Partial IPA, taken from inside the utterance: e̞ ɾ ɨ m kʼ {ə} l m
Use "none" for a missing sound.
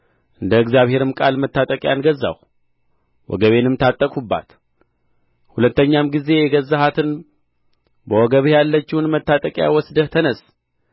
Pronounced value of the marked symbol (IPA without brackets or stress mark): a